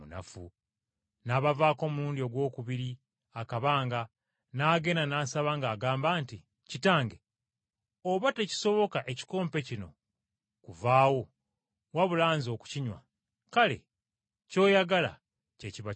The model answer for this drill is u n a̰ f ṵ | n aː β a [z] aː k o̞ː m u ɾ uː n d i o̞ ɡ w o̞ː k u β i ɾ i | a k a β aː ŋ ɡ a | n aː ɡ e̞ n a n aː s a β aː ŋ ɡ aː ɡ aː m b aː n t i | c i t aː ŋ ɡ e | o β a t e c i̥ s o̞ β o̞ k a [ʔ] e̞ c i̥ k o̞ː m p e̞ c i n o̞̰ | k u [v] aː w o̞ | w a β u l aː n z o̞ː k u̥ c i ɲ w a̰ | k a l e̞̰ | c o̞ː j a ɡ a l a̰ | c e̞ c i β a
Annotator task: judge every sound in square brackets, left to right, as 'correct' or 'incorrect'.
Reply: incorrect: v, correct, correct

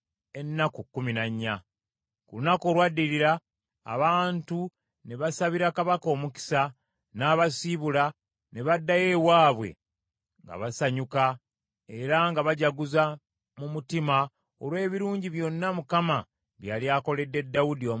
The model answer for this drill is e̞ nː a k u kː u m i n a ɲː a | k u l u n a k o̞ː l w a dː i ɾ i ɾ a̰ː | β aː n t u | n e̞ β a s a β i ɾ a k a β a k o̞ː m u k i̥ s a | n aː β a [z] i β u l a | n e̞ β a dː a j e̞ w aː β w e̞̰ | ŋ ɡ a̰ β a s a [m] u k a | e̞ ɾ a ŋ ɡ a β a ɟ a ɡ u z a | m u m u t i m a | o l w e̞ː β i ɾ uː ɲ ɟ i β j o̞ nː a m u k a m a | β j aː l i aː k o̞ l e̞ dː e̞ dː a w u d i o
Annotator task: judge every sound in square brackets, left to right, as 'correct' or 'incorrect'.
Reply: incorrect: s, incorrect: ɲ

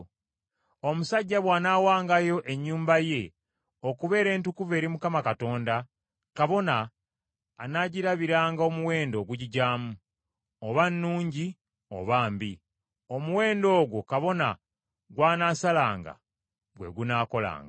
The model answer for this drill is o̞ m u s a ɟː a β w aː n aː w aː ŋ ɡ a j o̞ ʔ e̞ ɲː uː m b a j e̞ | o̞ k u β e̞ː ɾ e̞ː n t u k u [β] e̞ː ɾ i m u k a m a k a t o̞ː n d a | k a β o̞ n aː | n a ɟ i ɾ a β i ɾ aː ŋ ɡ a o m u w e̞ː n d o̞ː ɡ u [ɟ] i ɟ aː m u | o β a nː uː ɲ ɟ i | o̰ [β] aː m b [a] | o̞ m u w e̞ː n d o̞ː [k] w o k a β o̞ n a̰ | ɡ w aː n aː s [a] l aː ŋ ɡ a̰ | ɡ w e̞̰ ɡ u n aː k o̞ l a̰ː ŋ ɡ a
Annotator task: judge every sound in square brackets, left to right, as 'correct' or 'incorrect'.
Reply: incorrect: v, correct, correct, incorrect: i, incorrect: ɡ, correct

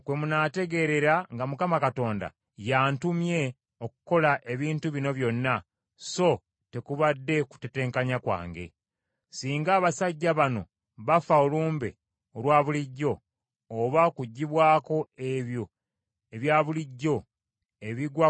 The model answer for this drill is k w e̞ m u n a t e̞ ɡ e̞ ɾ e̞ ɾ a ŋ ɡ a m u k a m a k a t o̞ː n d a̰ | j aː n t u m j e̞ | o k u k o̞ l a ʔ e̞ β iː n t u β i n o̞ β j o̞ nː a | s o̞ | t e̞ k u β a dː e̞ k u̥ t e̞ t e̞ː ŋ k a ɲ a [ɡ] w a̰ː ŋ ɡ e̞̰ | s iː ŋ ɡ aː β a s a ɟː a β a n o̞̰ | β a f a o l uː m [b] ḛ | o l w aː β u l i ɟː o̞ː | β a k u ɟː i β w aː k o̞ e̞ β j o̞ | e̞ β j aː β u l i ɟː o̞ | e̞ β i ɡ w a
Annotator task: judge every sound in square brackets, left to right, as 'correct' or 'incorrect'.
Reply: incorrect: k, correct

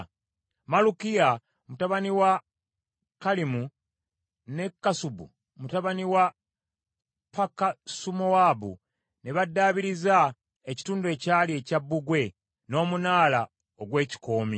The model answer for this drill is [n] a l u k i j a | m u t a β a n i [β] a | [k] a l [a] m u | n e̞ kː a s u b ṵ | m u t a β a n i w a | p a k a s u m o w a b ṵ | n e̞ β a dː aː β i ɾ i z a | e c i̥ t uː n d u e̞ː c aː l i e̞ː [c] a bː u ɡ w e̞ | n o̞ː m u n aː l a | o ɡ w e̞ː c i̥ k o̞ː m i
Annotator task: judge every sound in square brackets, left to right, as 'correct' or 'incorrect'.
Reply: incorrect: m, incorrect: w, correct, incorrect: i, correct

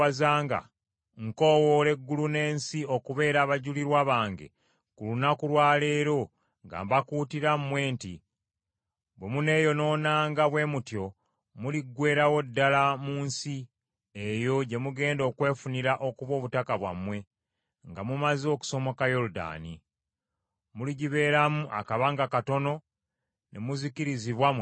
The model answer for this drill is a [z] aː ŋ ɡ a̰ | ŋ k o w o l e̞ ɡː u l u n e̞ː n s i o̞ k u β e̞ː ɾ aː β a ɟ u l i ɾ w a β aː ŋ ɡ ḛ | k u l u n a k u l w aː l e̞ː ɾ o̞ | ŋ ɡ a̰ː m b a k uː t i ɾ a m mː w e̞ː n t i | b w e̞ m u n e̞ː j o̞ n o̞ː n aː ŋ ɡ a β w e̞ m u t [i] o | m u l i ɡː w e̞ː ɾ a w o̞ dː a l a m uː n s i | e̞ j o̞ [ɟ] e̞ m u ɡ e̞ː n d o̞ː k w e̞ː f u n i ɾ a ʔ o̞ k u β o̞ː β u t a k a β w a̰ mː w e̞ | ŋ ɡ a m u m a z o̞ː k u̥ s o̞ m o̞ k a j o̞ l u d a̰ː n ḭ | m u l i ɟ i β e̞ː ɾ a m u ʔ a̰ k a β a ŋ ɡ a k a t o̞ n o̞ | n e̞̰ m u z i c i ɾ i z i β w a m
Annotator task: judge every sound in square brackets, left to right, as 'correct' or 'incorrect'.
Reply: correct, incorrect: j, correct

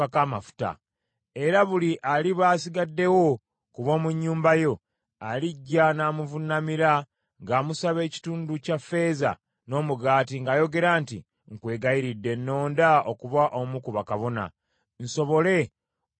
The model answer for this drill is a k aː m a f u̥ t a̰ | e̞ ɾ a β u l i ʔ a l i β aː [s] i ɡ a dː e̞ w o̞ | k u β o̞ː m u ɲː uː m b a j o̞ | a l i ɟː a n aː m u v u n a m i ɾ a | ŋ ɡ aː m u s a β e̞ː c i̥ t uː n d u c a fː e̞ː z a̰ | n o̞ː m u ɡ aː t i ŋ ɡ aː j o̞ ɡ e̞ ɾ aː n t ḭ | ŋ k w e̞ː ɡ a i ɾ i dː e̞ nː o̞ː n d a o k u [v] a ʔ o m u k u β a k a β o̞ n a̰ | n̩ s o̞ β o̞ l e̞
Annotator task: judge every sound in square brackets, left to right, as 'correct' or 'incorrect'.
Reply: correct, incorrect: β

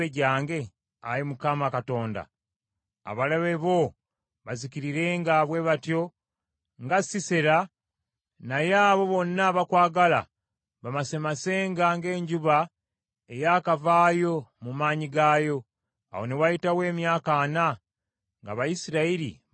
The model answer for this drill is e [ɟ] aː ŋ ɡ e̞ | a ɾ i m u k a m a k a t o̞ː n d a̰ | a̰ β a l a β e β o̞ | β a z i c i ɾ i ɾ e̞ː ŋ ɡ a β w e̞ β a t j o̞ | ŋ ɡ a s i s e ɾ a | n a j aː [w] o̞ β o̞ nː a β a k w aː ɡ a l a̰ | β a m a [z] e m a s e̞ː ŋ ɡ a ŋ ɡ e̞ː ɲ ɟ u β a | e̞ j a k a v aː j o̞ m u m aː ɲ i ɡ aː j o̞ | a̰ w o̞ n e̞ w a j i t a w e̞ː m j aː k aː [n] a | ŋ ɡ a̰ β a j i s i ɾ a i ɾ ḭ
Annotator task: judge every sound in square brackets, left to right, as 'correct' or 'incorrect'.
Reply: correct, incorrect: β, incorrect: s, correct

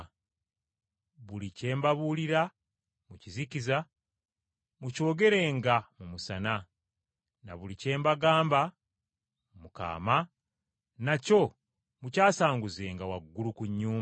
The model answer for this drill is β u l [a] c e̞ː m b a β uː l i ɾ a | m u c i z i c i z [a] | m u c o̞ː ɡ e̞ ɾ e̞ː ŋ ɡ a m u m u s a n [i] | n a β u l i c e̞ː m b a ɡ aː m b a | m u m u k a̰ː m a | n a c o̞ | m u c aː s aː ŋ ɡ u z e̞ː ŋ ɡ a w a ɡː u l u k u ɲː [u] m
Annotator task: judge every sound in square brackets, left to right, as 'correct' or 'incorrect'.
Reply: incorrect: i, correct, incorrect: a, incorrect: uː

